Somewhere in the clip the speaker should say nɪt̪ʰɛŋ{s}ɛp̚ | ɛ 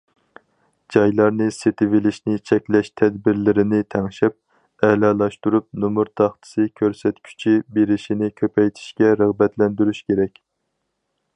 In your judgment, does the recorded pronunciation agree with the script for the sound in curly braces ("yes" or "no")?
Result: no